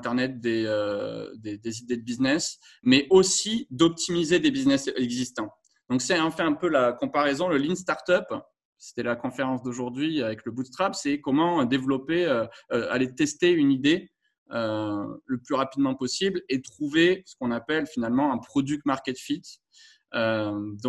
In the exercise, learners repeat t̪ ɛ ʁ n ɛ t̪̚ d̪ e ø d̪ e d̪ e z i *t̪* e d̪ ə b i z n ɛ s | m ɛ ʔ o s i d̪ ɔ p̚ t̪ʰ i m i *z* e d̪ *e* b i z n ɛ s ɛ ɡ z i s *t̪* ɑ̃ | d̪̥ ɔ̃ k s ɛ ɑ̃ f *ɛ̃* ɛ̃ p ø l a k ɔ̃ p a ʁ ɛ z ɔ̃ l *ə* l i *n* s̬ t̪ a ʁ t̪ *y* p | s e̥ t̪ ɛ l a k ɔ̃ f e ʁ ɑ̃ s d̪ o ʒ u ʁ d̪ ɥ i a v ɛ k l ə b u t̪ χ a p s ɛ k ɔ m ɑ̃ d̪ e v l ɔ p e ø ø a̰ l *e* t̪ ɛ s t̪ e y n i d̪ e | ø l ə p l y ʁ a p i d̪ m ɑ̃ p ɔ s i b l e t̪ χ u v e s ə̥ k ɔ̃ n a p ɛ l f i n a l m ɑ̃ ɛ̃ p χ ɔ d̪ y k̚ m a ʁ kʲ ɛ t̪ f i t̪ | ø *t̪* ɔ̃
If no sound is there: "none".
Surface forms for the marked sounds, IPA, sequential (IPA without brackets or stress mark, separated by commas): d̪, z, e, t̪, ɛ, ə, n, œ, e, d̪